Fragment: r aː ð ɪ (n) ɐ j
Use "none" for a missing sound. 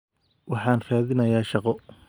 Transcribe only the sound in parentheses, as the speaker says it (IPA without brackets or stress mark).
n